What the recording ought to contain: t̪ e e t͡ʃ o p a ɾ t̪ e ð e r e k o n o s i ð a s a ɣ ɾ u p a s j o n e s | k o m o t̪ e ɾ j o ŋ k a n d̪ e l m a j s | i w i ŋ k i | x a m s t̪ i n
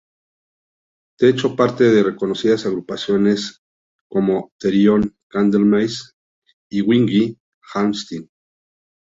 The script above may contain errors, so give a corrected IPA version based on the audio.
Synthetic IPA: t̪ e e t͡ʃ o p a ɾ t̪ e ð e r e k o n o s i ð a s a ɣ ɾ u p a s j o n e s | k o m o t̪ e ɾ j o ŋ k a n d̪ e l m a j s | i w i ŋ ɡ i | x a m s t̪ i n

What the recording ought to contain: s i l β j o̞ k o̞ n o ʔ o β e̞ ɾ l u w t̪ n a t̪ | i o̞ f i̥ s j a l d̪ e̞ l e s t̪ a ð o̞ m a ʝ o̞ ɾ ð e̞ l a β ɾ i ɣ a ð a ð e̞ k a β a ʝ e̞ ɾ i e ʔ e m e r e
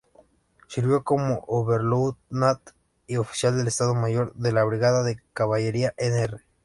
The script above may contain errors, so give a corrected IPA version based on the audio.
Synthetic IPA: s i ɾ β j o̞ k o̞ m o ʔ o β e̞ ɾ l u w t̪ n a t̪ | i o̞ f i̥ s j a l d̪ e̞ l e s t̪ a ð o̞ m a ʝ o̞ ɾ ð e̞ l a β ɾ i ɣ a ð a ð e̞ k a β a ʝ e̞ ɾ i a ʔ e n e r e

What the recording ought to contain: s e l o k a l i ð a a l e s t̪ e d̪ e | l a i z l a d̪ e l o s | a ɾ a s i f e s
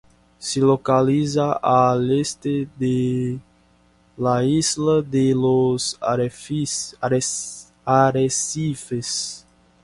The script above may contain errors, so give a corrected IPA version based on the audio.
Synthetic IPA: s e l o k a l i z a a l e s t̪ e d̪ e | l a i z l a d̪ e l o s | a ɾ e s i f e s

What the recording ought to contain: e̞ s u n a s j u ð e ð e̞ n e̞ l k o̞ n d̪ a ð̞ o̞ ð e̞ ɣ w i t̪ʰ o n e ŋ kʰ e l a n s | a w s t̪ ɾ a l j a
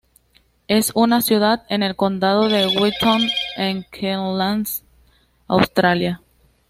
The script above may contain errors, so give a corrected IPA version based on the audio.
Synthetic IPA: e̞ s u n a s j u ð a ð e̞ n e̞ l k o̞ n d̪ a ð̞ o̞ ð e̞ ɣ w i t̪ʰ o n e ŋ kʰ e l a n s | a w s t̪ ɾ a l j a

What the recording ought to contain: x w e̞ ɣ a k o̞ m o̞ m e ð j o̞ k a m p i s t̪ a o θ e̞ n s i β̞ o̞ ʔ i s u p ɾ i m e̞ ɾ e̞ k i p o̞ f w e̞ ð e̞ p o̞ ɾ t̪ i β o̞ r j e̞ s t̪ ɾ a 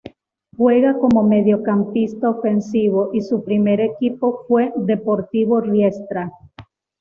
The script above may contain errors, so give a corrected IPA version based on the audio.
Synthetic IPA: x w e̞ ɣ a k o̞ m o̞ m e ð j o̞ k a m p i s t̪ a o f e̞ n s i β̞ o̞ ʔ i s u p ɾ i m e̞ ɾ e̞ k i p o̞ f w e̞ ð e̞ p o̞ ɾ t̪ i β o̞ r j e̞ s t̪ ɾ a

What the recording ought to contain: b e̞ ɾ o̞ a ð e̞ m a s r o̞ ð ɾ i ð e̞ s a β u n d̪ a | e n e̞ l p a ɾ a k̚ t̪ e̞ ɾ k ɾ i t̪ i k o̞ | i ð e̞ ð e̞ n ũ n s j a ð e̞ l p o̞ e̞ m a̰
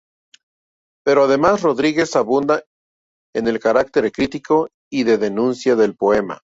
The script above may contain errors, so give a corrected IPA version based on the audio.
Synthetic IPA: p e̞ ɾ o̞ a ð e̞ m a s r o̞ ð ɾ i ɣ e̞ s a β u n d̪ a | e n e̞ l k a ɾ a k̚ t̪ e̞ ɾ k ɾ i t̪ i k o̞ | i ð e̞ ð e̞ n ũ n s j a ð e̞ l p o̞ e̞ m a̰

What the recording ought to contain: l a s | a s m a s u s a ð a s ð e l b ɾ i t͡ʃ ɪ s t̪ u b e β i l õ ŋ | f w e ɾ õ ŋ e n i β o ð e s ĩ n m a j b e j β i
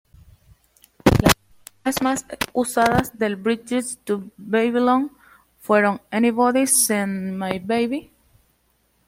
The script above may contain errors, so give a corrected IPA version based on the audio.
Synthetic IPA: l a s | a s m a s u s a ð a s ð e l b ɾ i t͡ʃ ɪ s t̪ u b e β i l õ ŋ | f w e ɾ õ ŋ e n i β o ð i s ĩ n m a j b e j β i

